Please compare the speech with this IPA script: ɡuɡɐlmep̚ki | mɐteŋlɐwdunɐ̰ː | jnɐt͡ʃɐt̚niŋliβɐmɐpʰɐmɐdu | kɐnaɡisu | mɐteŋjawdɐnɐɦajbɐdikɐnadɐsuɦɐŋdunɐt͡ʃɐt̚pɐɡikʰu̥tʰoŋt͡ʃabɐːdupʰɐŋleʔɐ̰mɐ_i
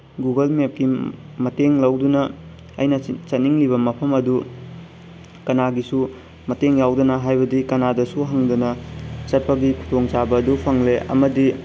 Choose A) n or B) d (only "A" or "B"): B